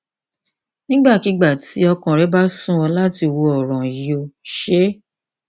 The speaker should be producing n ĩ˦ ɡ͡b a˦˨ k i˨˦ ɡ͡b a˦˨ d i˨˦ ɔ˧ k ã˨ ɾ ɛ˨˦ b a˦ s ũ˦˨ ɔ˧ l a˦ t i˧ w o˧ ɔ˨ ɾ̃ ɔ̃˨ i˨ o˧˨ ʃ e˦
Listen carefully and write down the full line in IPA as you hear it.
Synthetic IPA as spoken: n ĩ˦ ɡ͡b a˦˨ k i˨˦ ɡ͡b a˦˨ t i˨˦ ɔ˧ k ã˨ ɾ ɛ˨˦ b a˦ s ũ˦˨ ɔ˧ l a˦ t i˧ w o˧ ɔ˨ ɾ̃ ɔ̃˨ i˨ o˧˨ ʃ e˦